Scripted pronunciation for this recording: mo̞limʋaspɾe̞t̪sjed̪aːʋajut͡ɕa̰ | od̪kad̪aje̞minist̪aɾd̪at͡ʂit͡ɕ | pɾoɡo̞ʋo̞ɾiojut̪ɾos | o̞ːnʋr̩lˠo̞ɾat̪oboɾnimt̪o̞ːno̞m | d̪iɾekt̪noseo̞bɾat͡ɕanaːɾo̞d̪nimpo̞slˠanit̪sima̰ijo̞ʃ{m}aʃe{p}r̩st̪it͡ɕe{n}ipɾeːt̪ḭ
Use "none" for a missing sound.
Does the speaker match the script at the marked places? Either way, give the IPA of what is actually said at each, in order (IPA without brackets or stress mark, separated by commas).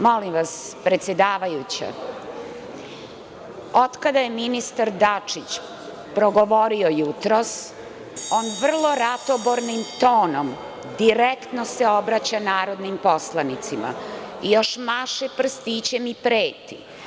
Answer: m, p, m